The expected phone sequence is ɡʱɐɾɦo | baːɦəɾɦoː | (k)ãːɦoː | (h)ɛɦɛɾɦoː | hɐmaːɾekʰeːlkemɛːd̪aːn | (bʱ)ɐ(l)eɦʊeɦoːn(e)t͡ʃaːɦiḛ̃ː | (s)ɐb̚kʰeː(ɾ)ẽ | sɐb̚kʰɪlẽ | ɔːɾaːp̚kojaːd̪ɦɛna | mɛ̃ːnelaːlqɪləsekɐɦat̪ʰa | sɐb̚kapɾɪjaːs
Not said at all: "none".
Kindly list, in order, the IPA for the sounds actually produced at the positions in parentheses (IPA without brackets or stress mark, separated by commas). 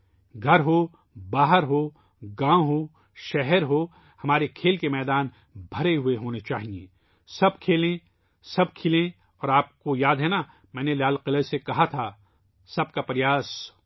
ɡ, ʃ, bʱ, ɾ, e, s, l